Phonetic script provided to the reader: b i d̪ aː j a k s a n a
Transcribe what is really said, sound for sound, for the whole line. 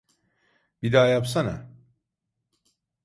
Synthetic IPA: b i d̪ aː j a p s a n a